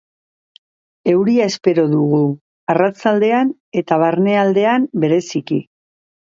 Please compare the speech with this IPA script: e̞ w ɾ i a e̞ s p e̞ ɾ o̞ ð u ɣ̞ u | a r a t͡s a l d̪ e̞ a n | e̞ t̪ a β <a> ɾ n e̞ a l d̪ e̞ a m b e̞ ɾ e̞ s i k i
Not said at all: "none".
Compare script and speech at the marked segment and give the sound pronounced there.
a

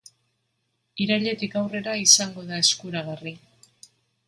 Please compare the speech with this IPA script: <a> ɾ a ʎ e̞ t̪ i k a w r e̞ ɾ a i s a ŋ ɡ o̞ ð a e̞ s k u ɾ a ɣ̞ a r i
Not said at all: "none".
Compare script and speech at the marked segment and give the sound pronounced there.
i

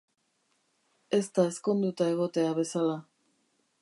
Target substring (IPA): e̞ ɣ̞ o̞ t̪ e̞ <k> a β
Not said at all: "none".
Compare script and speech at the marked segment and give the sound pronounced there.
none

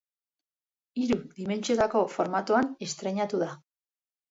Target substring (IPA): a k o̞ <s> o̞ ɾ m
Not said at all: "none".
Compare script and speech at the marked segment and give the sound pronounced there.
f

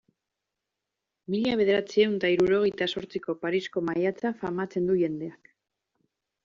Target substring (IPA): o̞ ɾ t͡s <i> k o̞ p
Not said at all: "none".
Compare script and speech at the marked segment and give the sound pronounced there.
i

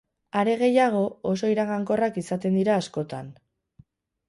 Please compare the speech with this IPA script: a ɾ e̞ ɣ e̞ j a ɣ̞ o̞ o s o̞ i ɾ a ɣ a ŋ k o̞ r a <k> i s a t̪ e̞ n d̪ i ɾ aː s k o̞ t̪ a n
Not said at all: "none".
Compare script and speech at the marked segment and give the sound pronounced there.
k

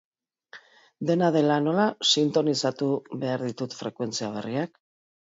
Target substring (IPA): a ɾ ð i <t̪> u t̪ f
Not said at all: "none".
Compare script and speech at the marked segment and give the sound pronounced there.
t̪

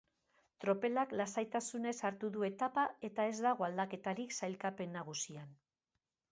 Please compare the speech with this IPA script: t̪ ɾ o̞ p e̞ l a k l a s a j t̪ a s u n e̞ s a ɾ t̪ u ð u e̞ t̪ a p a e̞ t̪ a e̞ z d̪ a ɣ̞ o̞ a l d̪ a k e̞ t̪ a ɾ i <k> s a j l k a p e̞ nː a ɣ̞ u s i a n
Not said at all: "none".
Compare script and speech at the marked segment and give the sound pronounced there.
k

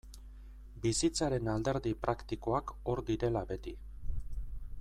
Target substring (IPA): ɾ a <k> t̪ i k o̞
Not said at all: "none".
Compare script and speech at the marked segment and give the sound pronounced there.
k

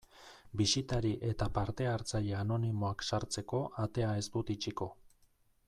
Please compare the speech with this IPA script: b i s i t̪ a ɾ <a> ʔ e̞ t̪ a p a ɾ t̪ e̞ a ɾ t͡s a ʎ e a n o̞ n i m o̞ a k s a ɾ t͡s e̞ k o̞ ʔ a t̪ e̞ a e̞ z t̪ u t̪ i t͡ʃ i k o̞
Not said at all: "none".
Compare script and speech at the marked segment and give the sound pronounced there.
i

